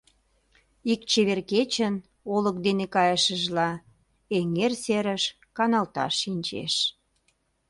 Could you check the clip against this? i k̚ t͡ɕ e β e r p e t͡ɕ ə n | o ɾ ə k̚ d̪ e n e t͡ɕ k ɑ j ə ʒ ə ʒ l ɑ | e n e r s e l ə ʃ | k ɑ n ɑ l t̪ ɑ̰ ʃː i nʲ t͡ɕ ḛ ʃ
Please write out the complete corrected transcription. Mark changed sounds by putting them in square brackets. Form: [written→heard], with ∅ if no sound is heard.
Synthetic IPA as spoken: i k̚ t͡ɕ e β e r [p→k] e t͡ɕ ə n | o [ɾ→l] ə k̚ d̪ e n e [t͡ɕ→∅] k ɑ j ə [ʒ→ʃ] ə ʒ l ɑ | e [n→ŋ] e r s e [l→ɾ] ə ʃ | k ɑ n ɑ l t̪ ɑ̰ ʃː i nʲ t͡ɕ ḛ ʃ